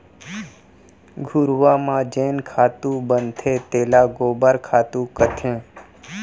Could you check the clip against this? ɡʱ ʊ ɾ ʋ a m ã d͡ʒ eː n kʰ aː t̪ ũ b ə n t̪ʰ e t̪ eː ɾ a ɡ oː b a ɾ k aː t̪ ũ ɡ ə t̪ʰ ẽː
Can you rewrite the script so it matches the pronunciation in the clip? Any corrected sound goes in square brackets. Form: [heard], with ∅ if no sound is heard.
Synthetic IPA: ɡʱ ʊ ɾ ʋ a m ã d͡ʒ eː n kʰ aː t̪ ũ b ə n t̪ʰ e t̪ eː [l] a ɡ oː b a ɾ [kʰ] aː t̪ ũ [k] ə t̪ʰ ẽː